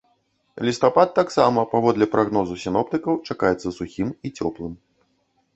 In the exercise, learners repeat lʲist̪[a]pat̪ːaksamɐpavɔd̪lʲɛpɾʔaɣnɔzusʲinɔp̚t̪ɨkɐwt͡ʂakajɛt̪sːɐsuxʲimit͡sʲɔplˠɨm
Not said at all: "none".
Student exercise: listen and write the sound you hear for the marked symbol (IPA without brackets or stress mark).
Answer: a